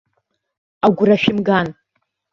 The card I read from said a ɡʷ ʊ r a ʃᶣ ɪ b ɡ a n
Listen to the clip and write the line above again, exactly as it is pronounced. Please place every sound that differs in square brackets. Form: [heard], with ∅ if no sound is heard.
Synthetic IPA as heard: a ɡʷ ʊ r a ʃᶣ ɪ [m] ɡ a n